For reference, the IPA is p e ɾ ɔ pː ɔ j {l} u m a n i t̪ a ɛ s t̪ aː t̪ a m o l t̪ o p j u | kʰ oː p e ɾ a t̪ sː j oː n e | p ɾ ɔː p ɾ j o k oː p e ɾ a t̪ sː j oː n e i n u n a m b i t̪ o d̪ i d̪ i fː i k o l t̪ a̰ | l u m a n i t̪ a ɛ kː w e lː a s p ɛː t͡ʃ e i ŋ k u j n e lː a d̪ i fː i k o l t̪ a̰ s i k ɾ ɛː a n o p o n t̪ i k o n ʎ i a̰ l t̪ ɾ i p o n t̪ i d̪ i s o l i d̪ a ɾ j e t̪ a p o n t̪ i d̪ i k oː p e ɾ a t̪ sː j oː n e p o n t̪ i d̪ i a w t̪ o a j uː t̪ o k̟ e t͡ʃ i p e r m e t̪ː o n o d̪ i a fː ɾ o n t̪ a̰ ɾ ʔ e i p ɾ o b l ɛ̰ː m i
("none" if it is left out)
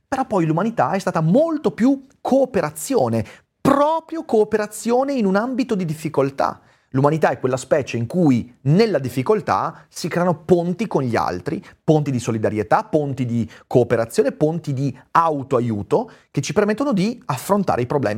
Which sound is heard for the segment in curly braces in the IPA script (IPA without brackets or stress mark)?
l